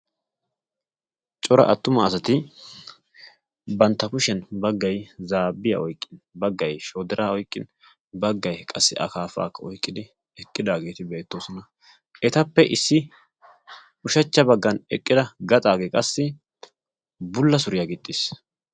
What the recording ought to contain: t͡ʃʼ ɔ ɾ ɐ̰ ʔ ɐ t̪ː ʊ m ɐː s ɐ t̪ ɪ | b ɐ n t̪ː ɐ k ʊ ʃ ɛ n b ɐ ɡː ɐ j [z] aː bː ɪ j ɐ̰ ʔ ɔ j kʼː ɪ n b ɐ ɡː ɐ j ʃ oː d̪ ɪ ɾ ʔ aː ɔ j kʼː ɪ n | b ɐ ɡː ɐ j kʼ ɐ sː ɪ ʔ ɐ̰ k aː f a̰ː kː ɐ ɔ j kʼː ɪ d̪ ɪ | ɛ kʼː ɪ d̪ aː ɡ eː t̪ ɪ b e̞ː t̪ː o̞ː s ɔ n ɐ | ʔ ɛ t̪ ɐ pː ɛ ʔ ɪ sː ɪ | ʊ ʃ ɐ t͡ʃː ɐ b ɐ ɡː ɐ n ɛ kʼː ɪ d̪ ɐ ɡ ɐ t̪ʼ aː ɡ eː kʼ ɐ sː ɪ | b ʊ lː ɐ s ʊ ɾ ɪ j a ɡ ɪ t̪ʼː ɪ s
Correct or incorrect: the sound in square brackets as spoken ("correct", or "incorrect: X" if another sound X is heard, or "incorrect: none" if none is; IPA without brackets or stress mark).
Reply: correct